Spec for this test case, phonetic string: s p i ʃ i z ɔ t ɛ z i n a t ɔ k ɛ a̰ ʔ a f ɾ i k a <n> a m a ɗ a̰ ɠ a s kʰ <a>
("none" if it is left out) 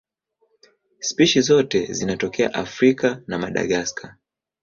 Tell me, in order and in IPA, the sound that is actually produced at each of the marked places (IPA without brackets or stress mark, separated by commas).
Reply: n, a